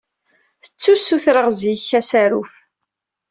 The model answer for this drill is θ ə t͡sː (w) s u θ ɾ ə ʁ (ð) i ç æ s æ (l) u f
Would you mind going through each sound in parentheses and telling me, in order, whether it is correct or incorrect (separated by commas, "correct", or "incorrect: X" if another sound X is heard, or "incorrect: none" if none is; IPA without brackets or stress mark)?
incorrect: u, incorrect: z, incorrect: ɾ